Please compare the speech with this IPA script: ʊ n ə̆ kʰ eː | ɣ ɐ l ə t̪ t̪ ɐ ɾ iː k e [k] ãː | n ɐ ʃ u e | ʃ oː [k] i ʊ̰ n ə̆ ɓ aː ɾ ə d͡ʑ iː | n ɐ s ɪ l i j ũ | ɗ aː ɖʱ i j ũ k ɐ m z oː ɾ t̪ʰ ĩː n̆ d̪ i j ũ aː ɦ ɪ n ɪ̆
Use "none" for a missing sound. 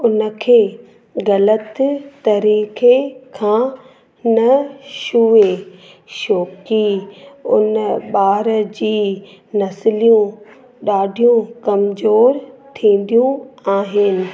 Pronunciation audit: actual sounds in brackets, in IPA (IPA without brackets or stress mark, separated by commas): kʰ, k